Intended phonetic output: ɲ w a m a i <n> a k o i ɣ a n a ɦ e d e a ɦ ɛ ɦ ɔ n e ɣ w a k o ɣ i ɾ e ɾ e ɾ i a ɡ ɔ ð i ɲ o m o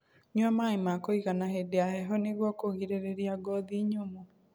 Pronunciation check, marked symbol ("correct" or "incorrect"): incorrect